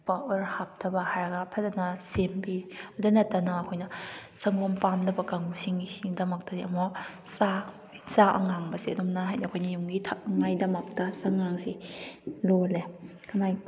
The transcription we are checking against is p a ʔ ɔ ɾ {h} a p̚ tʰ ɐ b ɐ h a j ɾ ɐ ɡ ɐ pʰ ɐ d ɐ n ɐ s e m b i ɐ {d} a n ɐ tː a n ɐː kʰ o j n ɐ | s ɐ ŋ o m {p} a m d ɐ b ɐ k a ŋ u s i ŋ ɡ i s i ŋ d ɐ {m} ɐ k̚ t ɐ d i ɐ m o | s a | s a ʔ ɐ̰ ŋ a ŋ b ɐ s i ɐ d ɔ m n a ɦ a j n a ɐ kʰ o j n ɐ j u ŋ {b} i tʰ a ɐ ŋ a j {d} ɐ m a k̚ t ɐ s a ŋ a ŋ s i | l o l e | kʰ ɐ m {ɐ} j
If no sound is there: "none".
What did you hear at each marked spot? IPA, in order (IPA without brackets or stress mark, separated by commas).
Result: h, d, p, m, ɡ, d, a